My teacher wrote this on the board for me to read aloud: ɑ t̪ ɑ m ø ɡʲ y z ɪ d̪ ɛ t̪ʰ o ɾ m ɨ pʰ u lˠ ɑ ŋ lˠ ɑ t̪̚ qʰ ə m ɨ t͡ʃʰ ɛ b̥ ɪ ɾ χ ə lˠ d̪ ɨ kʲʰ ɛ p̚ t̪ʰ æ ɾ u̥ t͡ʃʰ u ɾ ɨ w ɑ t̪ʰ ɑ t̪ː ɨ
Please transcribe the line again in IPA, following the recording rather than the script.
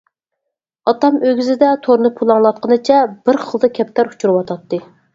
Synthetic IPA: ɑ t̪ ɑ m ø ɡʲ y z ɪ d̪ ɛ t̪ʰ o ɾ n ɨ pʰ u lˠ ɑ ŋ lˠ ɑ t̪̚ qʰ ə n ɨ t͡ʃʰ ɛ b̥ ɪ ɾ χ ə lˠ d̪ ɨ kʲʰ ɛ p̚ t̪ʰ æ ɾ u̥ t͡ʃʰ u ɾ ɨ w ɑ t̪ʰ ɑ t̪ː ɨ